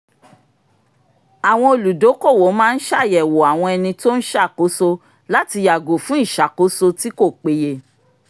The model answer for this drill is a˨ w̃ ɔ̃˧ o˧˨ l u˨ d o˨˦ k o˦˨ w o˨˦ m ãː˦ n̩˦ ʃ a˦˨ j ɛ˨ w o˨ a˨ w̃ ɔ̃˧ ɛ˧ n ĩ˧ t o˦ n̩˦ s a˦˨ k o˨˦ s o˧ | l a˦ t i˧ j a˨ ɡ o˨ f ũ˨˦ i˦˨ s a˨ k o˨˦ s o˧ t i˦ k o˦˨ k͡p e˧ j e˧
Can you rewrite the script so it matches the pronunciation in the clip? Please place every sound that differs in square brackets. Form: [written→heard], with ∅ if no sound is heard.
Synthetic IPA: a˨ w̃ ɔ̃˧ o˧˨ l u˨ d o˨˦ k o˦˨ w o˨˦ m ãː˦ n̩˦ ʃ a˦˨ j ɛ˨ w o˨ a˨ w̃ ɔ̃˧ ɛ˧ n ĩ˧ t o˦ n̩˦ [s→ʃ] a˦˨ k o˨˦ s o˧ | l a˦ t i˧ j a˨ ɡ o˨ f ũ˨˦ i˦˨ [s→ʃ] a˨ k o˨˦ s o˧ t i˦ k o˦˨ k͡p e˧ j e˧